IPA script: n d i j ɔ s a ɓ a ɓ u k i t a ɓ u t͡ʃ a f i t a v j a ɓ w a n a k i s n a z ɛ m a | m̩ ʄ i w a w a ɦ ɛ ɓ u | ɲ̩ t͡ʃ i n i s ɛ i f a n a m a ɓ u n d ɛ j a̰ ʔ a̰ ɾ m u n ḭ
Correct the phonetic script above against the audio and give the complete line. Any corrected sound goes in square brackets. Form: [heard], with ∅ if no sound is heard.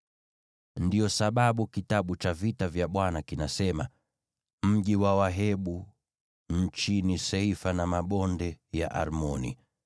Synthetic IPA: n d i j ɔ s a ɓ a ɓ u k i t a ɓ u t͡ʃ a [v] i t a v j a ɓ w a n a k i [∅] n a [s] ɛ m a | m̩ ʄ i w a w a ɦ ɛ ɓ u | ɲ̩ t͡ʃ i n i s ɛ i f a n a m a ɓ [ɔ] n d ɛ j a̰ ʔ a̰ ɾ m [ɔ] n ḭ